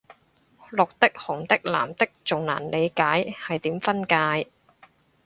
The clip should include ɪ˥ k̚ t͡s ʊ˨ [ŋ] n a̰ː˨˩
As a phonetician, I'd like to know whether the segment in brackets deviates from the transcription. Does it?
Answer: no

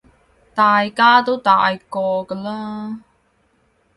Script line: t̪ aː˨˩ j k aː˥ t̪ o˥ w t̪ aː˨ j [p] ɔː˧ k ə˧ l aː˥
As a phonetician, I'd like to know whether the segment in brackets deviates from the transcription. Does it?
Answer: yes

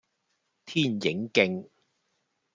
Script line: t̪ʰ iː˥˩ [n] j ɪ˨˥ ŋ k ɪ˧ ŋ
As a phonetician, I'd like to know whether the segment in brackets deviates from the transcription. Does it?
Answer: no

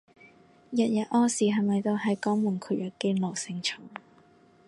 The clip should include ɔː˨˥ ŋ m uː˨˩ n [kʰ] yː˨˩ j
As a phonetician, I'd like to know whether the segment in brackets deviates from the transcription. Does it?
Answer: no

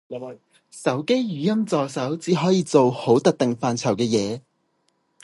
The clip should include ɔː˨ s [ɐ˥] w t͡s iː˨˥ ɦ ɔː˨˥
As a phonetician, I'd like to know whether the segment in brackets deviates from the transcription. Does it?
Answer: yes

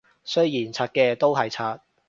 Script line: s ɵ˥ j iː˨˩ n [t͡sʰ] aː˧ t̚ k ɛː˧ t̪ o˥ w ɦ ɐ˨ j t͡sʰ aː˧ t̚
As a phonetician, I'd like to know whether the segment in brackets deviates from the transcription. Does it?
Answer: no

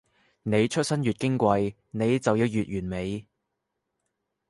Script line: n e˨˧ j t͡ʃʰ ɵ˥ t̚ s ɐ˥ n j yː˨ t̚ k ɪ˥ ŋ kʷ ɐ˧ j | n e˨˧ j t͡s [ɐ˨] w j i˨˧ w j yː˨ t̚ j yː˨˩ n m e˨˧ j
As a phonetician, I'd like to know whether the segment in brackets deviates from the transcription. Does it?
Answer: no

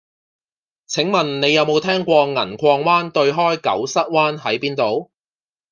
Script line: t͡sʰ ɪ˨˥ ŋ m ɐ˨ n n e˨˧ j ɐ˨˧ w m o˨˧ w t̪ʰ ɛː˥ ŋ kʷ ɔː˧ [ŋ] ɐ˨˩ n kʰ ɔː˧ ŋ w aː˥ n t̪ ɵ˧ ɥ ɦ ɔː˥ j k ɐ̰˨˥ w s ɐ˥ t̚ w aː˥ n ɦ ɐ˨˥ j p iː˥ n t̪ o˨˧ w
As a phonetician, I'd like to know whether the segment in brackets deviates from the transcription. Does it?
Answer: no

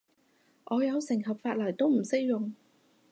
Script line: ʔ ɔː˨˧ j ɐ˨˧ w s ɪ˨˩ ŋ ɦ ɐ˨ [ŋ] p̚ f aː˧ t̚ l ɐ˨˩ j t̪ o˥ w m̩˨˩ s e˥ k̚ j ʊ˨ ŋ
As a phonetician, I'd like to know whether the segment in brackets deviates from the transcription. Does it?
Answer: yes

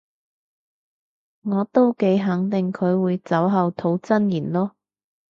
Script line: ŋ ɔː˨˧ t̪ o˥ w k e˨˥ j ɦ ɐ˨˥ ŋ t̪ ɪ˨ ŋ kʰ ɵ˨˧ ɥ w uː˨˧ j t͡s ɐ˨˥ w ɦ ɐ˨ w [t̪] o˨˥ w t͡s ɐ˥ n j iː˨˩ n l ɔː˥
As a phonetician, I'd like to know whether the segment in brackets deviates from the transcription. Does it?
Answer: yes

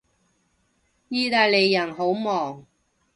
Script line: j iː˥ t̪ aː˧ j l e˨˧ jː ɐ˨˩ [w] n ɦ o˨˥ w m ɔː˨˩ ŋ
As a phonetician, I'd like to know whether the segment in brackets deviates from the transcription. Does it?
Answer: yes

